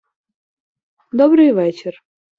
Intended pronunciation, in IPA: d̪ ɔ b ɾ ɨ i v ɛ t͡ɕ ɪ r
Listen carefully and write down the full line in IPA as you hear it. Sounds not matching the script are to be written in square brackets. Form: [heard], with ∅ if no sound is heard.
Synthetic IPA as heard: d̪ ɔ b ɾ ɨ [j] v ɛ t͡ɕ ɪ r